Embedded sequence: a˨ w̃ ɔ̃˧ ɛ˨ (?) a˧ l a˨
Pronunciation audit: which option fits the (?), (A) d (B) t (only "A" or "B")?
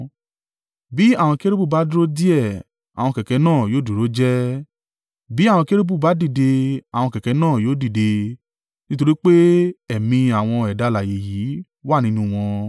A